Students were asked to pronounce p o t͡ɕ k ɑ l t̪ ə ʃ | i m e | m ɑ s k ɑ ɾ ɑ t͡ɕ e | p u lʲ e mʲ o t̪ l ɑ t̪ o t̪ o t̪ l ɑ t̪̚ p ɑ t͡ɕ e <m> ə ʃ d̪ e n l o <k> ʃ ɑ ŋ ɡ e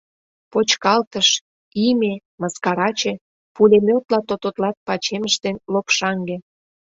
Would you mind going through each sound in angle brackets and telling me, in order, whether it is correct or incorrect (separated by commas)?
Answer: correct, incorrect